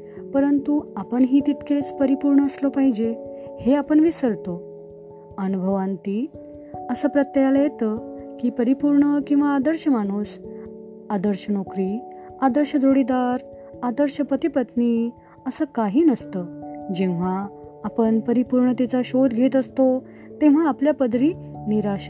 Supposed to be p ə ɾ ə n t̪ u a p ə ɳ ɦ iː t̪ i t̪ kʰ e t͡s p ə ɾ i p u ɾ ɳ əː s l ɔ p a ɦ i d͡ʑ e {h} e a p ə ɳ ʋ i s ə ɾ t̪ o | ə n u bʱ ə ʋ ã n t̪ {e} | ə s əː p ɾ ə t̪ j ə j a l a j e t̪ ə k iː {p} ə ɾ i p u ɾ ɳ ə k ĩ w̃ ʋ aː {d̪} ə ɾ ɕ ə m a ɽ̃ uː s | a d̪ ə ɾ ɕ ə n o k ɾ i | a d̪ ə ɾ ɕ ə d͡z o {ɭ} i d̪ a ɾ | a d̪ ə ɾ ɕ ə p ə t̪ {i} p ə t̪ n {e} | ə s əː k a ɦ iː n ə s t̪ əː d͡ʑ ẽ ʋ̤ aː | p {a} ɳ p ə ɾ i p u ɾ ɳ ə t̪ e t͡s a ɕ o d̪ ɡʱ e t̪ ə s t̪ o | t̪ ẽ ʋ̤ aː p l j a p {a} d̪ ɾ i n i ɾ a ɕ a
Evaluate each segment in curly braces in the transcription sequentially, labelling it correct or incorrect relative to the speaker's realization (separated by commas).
correct, incorrect, correct, correct, incorrect, correct, incorrect, incorrect, incorrect